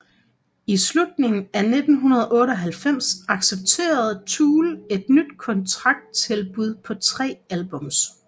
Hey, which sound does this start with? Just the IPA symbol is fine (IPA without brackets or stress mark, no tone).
i